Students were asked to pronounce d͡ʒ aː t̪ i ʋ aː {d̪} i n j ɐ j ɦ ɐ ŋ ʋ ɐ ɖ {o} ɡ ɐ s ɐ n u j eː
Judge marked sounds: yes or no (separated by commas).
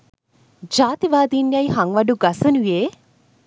yes, no